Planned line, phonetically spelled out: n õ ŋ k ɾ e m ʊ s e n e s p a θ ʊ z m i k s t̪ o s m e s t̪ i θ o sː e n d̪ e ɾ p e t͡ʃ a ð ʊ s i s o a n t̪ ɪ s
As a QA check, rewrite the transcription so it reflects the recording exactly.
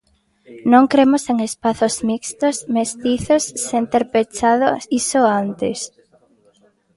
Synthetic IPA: n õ ŋ k ɾ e m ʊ s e ŋ e s p a θ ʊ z m i k s t̪ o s m e s t̪ i θ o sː e n t̪ e ɾ p e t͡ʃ a ð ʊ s i s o a n t̪ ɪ s